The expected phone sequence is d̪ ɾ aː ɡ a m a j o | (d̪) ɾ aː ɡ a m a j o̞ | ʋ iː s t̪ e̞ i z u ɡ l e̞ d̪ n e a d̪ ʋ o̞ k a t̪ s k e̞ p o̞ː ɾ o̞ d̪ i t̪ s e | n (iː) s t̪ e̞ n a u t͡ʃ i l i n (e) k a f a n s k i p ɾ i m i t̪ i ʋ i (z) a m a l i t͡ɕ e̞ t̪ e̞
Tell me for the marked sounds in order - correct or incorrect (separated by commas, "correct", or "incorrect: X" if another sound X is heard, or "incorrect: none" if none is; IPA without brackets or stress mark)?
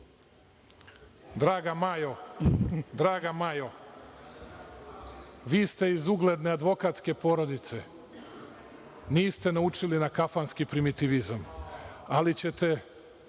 correct, correct, incorrect: a, correct